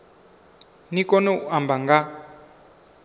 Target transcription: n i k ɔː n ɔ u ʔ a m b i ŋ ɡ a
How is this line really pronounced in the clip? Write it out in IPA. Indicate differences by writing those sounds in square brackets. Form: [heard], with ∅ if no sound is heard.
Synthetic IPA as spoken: n i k [ɔ] n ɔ u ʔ a m b [a] ŋ ɡ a